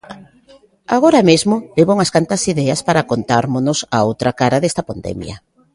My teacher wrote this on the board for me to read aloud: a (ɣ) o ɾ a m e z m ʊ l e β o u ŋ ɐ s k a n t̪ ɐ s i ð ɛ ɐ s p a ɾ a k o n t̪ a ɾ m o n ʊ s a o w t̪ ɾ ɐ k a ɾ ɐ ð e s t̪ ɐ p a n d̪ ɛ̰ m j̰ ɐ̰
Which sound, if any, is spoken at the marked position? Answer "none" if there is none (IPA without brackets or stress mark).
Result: ɣ